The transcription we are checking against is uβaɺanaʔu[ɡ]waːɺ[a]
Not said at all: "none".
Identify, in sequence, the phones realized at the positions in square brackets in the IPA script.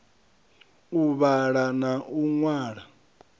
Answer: ŋ, a

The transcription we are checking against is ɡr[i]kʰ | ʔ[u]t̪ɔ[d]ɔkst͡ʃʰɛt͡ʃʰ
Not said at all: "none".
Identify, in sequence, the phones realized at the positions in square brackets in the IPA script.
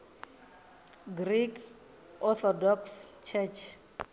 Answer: i, ɔ, d

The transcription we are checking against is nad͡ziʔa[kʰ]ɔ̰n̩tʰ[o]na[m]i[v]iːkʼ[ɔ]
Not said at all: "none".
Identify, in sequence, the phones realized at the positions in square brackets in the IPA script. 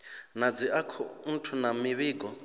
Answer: kʰ, u, m, β, ɔ

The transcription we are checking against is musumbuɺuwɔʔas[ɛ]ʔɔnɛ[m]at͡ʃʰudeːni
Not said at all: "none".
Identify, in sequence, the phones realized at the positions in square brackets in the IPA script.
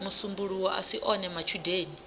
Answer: i, m

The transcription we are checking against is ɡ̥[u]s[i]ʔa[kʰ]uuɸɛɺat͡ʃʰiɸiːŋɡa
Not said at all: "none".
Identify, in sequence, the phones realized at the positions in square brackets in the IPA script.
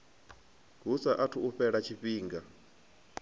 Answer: u, a, tʰ

